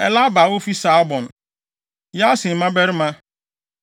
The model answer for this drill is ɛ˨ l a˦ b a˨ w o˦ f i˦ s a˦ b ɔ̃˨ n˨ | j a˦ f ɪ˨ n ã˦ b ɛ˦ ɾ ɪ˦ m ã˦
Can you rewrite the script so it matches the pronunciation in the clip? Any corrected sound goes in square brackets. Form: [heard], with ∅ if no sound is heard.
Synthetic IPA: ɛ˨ l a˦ b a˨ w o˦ f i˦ s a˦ b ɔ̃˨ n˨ | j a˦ [s] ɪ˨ [m] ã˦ b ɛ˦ ɾ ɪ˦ m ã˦